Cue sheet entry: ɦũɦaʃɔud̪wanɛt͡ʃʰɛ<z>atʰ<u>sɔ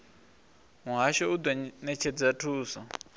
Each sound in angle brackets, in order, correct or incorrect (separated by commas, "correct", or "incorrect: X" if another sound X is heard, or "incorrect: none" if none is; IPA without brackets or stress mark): incorrect: d͡z, incorrect: uː